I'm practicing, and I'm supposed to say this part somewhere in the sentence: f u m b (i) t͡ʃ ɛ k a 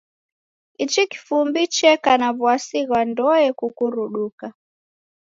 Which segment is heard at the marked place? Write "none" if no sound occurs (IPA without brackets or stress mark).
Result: i